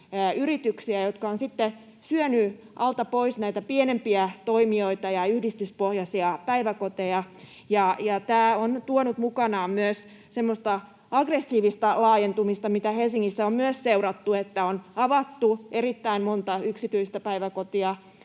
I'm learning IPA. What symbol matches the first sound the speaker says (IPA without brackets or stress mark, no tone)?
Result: y